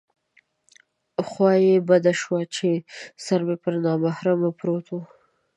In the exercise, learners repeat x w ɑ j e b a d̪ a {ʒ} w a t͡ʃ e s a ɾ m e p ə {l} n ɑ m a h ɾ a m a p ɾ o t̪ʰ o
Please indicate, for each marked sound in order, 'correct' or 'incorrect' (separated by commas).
incorrect, incorrect